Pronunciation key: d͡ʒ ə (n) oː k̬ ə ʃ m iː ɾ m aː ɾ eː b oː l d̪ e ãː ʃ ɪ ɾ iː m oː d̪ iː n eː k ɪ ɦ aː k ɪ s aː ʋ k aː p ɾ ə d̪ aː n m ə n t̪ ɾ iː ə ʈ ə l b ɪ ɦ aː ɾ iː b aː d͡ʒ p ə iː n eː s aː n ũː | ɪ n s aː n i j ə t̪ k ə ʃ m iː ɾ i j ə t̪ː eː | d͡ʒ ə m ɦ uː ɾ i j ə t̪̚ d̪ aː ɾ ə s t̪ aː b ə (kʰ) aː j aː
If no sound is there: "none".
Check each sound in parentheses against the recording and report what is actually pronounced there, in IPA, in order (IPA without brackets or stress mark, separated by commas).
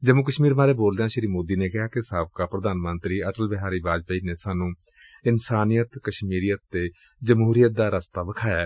m, kʰ